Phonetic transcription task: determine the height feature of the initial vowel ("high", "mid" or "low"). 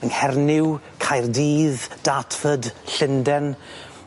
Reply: mid